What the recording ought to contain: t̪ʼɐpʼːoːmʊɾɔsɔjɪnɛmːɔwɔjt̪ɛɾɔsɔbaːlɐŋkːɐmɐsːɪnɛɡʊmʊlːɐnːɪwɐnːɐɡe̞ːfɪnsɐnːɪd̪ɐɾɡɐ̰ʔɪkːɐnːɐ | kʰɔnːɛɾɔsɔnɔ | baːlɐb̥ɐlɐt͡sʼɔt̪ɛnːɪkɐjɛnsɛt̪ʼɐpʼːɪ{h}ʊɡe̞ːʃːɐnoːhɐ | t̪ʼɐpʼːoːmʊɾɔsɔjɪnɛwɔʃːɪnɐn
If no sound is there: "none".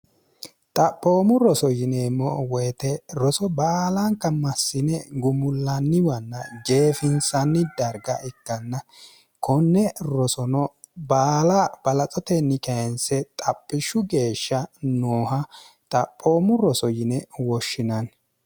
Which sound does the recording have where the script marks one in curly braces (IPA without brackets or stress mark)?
ʃ